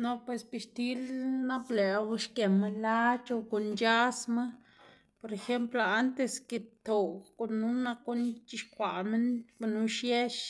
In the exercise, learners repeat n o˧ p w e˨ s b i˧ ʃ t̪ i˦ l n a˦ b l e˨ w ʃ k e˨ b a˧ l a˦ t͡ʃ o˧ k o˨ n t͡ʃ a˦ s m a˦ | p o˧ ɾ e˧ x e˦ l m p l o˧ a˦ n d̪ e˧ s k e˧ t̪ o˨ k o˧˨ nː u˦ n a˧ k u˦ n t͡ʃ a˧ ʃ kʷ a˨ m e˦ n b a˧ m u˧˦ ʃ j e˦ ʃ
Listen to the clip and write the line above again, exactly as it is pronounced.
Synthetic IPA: n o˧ p w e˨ s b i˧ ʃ t̪ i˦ l n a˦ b l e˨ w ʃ k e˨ m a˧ l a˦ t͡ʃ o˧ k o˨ n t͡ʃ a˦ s m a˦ | p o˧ ɾ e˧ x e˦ m p l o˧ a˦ n t̪ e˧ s k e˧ t̪ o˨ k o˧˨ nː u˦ n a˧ k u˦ n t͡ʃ i˧ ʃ kʷ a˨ m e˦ n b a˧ n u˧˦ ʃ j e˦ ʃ